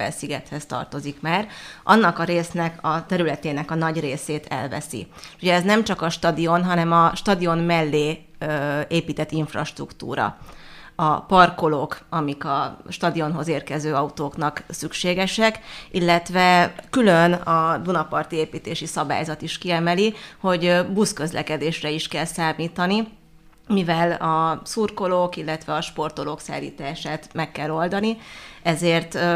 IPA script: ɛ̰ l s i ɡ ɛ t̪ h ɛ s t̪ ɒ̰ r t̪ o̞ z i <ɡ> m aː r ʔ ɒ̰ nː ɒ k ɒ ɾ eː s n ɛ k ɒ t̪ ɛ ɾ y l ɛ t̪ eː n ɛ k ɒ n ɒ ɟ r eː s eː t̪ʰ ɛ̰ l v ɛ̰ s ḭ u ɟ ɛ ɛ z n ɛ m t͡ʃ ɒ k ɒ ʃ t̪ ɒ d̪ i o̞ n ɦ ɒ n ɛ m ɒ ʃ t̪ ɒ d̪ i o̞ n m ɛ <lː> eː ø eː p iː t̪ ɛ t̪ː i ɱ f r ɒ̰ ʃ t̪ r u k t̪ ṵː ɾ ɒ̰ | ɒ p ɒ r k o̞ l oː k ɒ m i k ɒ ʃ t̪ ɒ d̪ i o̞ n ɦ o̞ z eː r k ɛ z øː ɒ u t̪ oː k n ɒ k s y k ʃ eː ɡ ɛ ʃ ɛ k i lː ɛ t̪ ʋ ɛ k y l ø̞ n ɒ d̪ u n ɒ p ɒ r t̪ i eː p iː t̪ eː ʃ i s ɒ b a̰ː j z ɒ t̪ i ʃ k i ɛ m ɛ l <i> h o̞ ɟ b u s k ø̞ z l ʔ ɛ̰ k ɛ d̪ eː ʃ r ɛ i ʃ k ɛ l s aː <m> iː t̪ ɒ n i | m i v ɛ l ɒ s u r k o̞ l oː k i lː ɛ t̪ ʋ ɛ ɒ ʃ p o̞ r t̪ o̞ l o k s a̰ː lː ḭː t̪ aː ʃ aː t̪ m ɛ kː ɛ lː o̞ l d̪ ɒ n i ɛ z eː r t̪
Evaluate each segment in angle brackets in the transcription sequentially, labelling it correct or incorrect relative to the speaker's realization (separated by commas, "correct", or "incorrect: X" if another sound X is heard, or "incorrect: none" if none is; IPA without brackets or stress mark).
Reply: incorrect: k, correct, correct, correct